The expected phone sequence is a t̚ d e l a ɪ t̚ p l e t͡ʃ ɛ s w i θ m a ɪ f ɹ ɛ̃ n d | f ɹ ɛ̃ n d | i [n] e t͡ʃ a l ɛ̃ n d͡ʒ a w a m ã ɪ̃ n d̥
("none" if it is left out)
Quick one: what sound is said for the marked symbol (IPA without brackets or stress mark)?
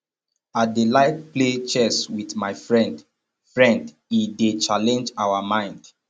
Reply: d